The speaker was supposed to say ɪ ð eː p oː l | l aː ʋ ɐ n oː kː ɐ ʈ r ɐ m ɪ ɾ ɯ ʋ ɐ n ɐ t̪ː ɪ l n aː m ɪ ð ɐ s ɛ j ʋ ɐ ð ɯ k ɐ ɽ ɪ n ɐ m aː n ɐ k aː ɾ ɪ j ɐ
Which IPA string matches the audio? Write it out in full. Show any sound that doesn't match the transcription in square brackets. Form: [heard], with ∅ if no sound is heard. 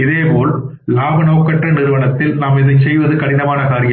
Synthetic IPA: ɪ ð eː p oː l | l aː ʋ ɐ n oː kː ɐ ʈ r ɐ [n] ɪ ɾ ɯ ʋ ɐ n ɐ t̪ː ɪ l n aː m ɪ ð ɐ s ɛ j ʋ ɐ ð ɯ k ɐ ɽ ɪ n ɐ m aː n ɐ k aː ɾ ɪ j ɐ